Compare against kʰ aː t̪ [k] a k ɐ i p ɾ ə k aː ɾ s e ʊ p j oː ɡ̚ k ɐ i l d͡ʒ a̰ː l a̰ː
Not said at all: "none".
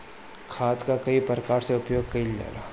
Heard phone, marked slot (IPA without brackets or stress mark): k